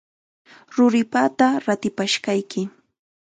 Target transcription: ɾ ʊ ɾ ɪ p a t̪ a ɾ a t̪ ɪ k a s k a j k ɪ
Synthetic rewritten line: ɾ ʊ ɾ ɪ p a t̪ a ɾ a t̪ ɪ p a ʃ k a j k ɪ